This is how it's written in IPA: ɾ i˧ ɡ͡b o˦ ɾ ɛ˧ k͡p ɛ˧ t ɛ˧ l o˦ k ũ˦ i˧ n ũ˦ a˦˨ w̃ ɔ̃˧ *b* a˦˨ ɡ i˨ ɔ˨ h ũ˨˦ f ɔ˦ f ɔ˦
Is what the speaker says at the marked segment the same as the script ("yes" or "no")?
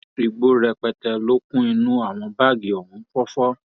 yes